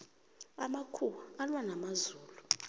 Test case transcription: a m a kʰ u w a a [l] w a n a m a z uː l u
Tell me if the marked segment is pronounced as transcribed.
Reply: yes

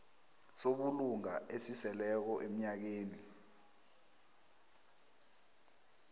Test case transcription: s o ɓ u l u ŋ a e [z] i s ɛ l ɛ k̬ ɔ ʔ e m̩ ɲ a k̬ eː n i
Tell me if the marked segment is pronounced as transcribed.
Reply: no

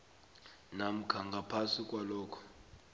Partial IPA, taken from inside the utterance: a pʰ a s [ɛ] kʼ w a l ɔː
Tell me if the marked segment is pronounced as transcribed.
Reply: no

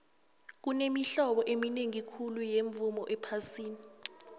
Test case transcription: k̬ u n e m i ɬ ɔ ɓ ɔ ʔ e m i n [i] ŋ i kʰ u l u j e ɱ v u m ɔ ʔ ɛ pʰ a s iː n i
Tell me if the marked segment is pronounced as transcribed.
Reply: no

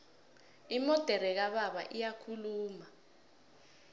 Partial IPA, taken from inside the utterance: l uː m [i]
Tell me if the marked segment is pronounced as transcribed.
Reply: no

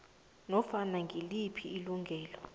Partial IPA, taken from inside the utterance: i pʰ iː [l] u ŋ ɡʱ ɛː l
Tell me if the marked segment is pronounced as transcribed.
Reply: yes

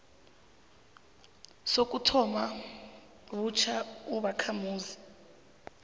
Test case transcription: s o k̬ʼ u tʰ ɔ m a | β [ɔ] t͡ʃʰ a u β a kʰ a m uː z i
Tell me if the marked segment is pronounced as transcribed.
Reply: no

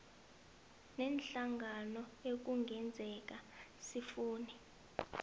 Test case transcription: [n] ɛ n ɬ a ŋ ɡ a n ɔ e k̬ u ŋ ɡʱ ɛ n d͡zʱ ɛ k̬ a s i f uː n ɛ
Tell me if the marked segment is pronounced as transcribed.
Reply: yes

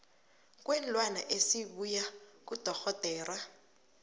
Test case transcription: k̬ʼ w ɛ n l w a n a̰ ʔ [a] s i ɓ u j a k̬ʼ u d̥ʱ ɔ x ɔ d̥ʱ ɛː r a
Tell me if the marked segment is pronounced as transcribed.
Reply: no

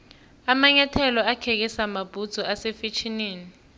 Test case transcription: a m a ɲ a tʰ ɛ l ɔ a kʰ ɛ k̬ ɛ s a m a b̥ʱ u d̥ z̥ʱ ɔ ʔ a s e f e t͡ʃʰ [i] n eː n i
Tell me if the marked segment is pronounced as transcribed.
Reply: yes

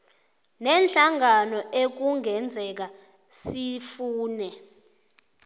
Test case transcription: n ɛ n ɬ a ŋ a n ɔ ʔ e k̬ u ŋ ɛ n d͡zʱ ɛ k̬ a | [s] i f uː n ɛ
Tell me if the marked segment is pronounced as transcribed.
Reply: yes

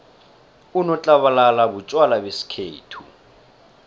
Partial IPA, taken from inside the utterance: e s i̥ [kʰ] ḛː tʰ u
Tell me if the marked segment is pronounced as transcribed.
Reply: yes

